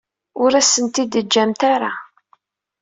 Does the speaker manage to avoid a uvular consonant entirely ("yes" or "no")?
yes